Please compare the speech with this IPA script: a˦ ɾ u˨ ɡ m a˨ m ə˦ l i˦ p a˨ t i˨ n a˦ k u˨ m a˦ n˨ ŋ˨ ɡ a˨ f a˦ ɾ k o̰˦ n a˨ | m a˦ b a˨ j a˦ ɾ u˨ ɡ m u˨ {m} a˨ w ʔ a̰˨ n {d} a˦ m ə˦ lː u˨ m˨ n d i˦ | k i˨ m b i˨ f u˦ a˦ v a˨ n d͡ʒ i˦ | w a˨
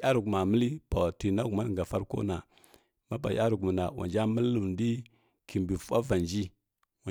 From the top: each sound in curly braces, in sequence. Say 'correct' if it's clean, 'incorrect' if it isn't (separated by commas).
incorrect, incorrect